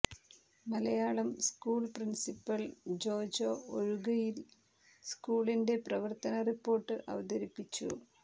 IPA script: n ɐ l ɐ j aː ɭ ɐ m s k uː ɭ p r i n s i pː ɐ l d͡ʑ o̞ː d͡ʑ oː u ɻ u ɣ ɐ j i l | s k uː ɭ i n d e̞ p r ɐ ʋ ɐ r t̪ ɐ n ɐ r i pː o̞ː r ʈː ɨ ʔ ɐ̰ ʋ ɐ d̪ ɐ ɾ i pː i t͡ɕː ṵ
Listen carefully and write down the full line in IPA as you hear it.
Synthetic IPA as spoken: m ɐ l ɐ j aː ɭ ɐ m s k uː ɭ p r i n s i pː ɐ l d͡ʑ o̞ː d͡ʑ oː o ɻ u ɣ ɐ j i l | s k uː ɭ i n d e̞ p r ɐ ʋ ɐ r t̪ ɐ n ɐ r i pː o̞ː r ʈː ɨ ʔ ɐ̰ ʋ ɐ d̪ ɐ ɾ i pː i t͡ɕː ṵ